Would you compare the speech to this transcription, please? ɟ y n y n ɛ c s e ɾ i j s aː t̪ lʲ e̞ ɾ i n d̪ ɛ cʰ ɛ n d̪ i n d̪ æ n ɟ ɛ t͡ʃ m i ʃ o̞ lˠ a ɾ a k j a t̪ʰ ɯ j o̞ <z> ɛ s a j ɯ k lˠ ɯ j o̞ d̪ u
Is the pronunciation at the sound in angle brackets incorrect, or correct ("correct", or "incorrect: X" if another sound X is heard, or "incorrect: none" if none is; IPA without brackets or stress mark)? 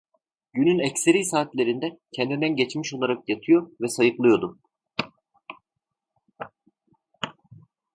incorrect: v